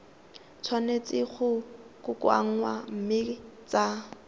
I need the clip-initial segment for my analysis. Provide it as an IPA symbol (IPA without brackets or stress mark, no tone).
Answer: t͡sʰ